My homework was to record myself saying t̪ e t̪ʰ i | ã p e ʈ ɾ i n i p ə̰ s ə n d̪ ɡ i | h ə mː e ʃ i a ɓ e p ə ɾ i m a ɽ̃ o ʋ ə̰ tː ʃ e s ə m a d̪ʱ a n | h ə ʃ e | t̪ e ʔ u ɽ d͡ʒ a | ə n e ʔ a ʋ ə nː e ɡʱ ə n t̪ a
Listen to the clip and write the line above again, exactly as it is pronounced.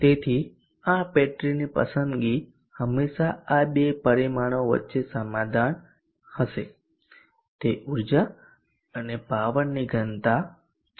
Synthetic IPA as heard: t̪ e t̪ʰ i | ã p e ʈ ɾ i n i p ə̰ s ə n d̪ ɡ i | h ə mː e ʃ a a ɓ e p ə ɾ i m a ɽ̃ o ʋ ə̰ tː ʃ e s ə m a d̪ʱ a n | h ə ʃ e | t̪ e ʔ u ɾ d͡ʒ a | ə n e p a ʋ ə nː i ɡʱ ə n t̪ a